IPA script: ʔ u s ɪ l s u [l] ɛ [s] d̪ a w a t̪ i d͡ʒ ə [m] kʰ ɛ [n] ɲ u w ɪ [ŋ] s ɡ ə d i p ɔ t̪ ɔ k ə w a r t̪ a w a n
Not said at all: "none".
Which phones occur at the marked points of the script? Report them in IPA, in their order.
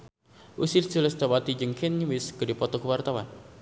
l, s, ŋ, n, none

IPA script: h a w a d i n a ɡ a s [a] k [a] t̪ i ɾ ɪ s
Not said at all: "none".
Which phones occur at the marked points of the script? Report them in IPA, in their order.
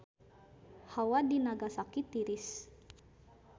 a, i

